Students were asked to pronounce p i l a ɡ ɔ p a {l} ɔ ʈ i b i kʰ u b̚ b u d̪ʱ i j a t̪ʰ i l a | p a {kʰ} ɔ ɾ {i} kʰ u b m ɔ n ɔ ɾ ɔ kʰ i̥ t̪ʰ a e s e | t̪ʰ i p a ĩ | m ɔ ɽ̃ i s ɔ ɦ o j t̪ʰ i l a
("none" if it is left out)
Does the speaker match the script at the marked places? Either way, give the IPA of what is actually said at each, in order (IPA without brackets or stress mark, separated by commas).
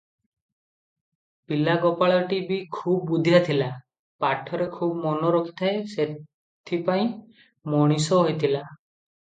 ɭ, ʈʰ, e